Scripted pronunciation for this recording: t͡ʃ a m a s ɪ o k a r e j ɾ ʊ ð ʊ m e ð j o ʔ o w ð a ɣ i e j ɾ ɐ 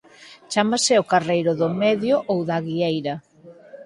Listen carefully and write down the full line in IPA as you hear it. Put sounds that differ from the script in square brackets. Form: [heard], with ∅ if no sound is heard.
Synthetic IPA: t͡ʃ a m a s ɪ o k a r e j ɾ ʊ ð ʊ m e ð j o ʔ o w ð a ɣ i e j ɾ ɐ